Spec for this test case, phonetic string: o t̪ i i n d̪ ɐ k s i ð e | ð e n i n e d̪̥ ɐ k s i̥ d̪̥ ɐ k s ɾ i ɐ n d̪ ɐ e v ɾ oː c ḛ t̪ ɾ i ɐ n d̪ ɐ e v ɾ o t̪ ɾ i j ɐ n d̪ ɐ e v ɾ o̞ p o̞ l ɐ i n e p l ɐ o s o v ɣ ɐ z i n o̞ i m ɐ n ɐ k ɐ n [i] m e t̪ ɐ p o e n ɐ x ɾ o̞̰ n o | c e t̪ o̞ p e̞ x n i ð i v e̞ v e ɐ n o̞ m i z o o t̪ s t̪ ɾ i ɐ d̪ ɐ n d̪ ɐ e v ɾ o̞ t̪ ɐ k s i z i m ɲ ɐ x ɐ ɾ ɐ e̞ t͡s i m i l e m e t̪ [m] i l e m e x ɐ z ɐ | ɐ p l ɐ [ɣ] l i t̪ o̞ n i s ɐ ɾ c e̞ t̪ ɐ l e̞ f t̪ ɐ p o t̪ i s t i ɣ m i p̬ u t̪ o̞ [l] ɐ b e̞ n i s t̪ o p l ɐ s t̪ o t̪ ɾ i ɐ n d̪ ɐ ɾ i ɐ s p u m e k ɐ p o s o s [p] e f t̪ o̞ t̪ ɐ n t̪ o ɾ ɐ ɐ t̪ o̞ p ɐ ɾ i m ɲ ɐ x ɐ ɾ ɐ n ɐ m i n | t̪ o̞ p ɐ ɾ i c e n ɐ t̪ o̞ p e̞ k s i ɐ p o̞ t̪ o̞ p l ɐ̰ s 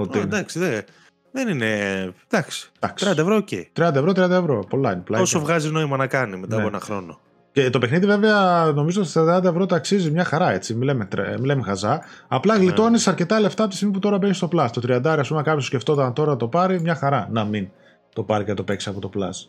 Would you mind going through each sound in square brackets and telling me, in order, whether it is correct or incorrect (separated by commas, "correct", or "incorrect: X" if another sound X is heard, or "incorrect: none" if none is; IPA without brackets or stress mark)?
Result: correct, correct, correct, incorrect: ɾ, incorrect: c